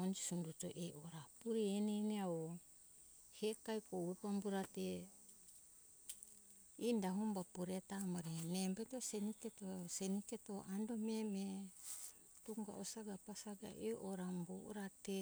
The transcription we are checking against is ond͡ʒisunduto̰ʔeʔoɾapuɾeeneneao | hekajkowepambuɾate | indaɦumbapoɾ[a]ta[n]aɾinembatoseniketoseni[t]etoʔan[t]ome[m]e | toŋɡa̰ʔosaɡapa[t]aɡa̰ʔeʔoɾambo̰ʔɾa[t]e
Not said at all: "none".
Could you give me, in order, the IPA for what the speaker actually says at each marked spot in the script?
e, m, k, d, m, s, t

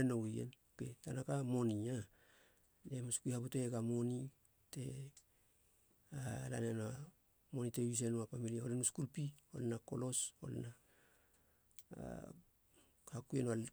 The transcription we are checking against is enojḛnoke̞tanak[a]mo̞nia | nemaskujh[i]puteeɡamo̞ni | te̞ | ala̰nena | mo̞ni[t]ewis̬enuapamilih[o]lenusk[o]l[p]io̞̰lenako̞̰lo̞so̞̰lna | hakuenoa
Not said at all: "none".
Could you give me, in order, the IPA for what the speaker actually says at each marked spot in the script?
a, a, t, o, u, p

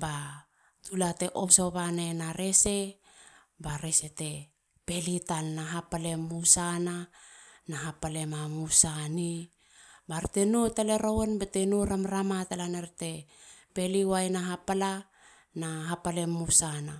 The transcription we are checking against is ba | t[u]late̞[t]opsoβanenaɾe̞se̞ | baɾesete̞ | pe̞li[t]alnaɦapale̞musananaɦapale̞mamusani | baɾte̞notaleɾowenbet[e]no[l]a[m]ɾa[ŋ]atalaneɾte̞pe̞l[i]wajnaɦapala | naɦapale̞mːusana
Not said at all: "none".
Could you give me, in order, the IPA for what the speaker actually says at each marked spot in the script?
u, ʔ, t, e, ɾ, m, m, i

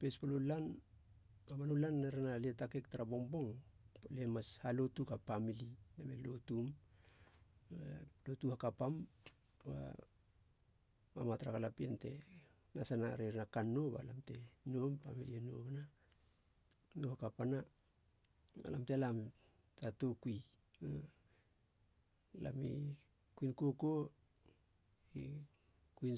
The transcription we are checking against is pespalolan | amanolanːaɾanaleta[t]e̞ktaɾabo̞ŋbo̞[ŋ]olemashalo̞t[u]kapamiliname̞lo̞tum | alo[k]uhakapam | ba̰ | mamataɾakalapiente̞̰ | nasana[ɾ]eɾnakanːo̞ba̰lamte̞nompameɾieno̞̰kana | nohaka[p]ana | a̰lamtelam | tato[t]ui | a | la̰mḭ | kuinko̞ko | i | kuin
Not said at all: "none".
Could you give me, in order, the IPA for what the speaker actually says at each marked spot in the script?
k, ŋ, u, t, ɾ, p, k

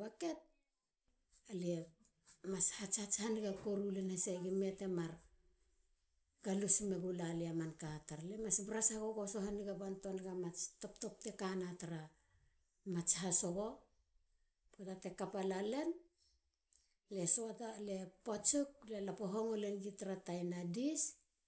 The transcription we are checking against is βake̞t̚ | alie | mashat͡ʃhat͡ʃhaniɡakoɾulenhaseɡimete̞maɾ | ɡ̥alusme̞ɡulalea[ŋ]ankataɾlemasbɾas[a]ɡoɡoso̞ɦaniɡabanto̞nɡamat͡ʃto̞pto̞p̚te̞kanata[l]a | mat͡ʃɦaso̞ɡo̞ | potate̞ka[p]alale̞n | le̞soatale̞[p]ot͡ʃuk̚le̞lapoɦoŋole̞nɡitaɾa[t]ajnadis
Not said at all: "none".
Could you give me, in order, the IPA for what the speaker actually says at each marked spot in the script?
m, a, ɾ, p, p, t

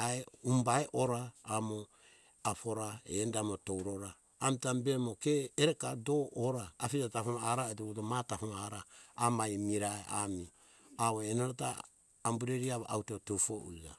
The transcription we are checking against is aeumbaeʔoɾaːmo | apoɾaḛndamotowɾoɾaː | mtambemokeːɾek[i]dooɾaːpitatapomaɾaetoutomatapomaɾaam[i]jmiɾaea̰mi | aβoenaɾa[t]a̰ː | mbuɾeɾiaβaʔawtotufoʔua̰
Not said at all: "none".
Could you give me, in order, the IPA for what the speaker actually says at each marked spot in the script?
a, a, t

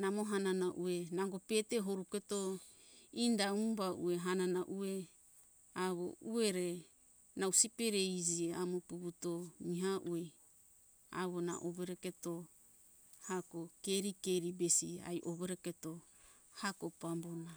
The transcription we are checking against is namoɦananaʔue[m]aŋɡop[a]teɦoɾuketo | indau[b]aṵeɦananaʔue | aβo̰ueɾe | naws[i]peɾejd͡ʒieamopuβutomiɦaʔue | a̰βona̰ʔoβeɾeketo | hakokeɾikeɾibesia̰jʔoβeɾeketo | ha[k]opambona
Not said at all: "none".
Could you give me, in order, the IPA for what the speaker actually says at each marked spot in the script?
n, e, b, i, k

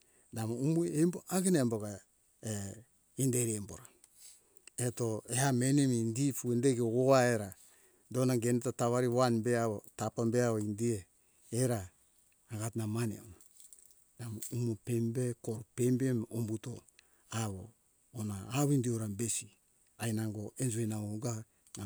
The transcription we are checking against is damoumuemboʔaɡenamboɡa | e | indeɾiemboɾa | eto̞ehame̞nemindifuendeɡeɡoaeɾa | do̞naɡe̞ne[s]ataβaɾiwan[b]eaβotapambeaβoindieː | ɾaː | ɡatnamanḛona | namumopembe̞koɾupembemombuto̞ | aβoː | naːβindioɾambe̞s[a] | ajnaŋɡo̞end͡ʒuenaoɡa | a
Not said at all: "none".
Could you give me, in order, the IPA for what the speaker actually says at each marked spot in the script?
t, b, i

